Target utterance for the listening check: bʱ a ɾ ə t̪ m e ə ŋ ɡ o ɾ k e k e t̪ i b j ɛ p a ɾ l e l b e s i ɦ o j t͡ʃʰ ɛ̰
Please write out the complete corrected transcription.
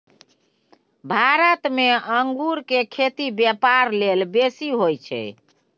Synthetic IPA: bʱ a ɾ ə t̪ m e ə ŋ ɡ u ɾ k e kʰ e t̪ i b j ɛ p a ɾ l e l b e s i ɦ o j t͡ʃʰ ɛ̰